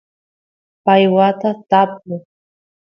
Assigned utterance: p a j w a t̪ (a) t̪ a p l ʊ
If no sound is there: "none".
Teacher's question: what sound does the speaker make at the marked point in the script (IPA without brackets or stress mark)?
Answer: a